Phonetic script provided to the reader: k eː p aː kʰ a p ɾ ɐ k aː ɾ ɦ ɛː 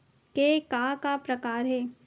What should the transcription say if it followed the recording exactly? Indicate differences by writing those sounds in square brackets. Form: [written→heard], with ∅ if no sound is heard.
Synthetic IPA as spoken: k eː [p→k] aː [kʰ→k] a p ɾ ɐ k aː ɾ ɦ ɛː